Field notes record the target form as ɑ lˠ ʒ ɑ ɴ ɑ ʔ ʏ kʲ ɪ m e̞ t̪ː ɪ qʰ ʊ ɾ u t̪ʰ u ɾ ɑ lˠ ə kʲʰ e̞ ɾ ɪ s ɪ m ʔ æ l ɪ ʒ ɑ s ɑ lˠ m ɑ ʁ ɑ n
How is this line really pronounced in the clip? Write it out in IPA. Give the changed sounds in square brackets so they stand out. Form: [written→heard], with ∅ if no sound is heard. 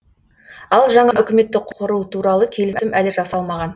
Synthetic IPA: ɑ lˠ ʒ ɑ ɴ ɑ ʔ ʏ kʲ ɪ m e̞ t̪ː ɪ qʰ ʊ ɾ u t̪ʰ u ɾ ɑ lˠ ə kʲʰ e̞ [ɾ→l] ɪ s ɪ m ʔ æ l ɪ ʒ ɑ s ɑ lˠ m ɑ ʁ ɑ n